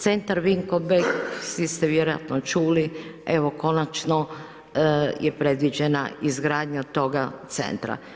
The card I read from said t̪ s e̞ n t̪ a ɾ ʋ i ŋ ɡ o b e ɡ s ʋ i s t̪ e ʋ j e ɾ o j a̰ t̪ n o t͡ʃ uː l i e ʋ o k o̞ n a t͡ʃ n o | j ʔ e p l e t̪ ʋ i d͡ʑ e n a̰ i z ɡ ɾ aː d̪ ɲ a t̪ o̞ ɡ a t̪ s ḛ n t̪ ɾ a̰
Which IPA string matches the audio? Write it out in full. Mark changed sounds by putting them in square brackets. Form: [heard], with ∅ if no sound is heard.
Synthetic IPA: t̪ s e̞ n t̪ a ɾ ʋ i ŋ [k] o b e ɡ s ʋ i s t̪ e ʋ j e ɾ o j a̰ t̪ n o t͡ʃ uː l i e ʋ o k o̞ n a t͡ʃ n o | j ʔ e p [ɾ] e [d̪] ʋ i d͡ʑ e n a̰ i z ɡ ɾ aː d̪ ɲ a t̪ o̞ ɡ a t̪ s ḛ n t̪ ɾ a̰

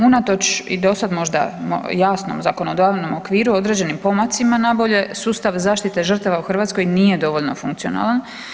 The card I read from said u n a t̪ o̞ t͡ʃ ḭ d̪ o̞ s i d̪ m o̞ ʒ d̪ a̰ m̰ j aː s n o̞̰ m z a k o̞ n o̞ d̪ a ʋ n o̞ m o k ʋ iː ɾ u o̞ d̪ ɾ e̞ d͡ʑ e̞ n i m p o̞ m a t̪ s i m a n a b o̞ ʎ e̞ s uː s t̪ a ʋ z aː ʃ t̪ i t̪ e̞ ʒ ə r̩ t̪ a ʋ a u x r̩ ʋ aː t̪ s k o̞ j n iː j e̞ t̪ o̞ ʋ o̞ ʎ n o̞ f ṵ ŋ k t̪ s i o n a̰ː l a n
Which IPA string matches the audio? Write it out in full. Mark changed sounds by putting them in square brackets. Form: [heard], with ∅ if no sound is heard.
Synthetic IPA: u n a t̪ o̞ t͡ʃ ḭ d̪ o̞ s [a] d̪ m o̞ ʒ d̪ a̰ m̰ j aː s n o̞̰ m z a k o̞ n o̞ d̪ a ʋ n o̞ m o k ʋ iː ɾ u o̞ d̪ ɾ e̞ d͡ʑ e̞ n i m p o̞ m a t̪ s i m a n a b o̞ ʎ e̞ s uː s t̪ a ʋ z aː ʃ t̪ i t̪ e̞ ʒ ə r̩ t̪ a ʋ a u x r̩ ʋ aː t̪ s k o̞ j n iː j e̞ [d̪] o̞ ʋ o̞ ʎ n o̞ f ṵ ŋ k t̪ s i o n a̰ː l a n

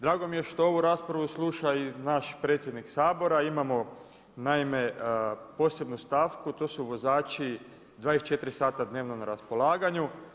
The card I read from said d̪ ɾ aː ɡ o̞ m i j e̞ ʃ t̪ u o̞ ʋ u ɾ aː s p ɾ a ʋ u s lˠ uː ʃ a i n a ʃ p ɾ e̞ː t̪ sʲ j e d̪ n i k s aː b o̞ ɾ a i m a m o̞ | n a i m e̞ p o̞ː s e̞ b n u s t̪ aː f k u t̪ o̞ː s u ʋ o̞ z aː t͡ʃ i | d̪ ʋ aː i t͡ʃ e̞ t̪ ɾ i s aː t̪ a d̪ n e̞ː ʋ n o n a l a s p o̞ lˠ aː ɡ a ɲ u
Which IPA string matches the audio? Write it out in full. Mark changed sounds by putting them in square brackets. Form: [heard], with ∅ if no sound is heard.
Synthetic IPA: d̪ ɾ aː ɡ o̞ m i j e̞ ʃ t̪ [o] o̞ ʋ u ɾ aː s p ɾ a ʋ u s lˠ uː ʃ a i n a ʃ p ɾ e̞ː t̪ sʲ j e d̪ n i k s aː b o̞ ɾ a i m a m o̞ | n a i m e̞ p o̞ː s e̞ b n u s t̪ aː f k u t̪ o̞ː s u ʋ o̞ z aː t͡ʃ i | d̪ ʋ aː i t͡ʃ e̞ t̪ ɾ i s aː t̪ a d̪ n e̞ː ʋ n o n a [ɾ] a s p o̞ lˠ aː ɡ a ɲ u

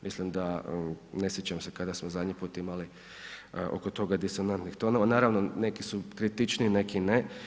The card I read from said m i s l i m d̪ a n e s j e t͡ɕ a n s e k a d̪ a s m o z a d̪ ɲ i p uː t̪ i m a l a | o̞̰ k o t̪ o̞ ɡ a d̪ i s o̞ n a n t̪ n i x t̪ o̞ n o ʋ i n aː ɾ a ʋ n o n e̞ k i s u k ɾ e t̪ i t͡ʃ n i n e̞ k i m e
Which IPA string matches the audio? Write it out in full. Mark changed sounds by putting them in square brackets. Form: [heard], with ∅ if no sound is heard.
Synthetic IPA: m i s l i m d̪ a n e s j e t͡ɕ a [m] s e k a d̪ a s m o z a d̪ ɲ i p uː t̪ i m a l [i] | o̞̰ k o t̪ o̞ ɡ a d̪ i s o̞ n a n t̪ n i x t̪ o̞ n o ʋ [a] n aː ɾ a ʋ n o n e̞ k i s u k ɾ [i] t̪ i t͡ʃ n i n e̞ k i [n] e

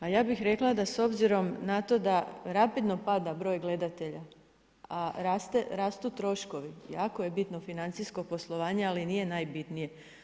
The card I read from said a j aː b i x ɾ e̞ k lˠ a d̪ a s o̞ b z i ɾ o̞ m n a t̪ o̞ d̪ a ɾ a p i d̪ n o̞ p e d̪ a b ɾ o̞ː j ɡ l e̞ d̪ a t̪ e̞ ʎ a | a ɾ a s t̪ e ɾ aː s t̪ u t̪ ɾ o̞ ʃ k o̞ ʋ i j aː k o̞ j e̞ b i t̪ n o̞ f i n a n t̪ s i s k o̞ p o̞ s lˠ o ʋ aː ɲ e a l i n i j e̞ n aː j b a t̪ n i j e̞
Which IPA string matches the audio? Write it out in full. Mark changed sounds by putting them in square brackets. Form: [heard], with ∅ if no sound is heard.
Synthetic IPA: a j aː b i x ɾ e̞ k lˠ a d̪ a s o̞ b z i ɾ o̞ m n a t̪ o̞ d̪ a ɾ a p i d̪ n o̞ p [a] d̪ a b ɾ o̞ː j ɡ l e̞ d̪ a t̪ e̞ ʎ a | a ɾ a s t̪ e ɾ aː s t̪ u t̪ ɾ o̞ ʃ k o̞ ʋ i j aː k o̞ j e̞ b i t̪ n o̞ f i n a n t̪ s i s k o̞ p o̞ s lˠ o ʋ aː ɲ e a l i n i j e̞ n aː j b [i] t̪ n i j e̞

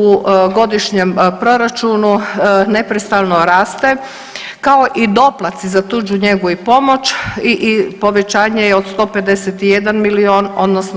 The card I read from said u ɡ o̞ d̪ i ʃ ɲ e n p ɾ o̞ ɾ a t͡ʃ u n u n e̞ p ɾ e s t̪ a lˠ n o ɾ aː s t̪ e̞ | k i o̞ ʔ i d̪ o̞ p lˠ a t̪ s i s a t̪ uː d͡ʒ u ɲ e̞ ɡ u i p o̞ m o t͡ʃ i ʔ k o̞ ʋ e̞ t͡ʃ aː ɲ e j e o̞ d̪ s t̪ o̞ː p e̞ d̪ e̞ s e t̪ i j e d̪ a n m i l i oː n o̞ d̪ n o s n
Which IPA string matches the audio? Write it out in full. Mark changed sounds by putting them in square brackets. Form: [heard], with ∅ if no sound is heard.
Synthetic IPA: u ɡ o̞ d̪ i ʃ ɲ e [m] p ɾ o̞ ɾ a t͡ʃ u n u n e̞ p ɾ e s t̪ a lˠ n o ɾ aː s t̪ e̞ | k [a] o̞ ʔ i d̪ o̞ p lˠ a t̪ s i [z] a t̪ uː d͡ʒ u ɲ e̞ ɡ u i p o̞ m o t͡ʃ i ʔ [p] o̞ ʋ e̞ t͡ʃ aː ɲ e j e o̞ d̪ s t̪ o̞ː p e̞ d̪ e̞ s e t̪ i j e d̪ a n m i l i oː n o̞ d̪ n o s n

